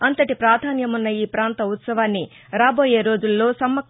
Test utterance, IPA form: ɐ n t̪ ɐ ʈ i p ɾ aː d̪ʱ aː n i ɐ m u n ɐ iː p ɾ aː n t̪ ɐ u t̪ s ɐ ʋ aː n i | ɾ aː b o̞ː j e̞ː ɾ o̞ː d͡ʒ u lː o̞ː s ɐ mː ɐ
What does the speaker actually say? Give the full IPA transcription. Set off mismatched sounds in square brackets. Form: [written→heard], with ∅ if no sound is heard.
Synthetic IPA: ɐ n t̪ ɐ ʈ i p ɾ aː d̪ʱ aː n [i→j] ɐ m u [n→nː] ɐ iː p ɾ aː n t̪ ɐ u t̪ s ɐ ʋ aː [n→nː] i | ɾ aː b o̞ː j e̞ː ɾ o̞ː d͡ʒ u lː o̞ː s ɐ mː ɐ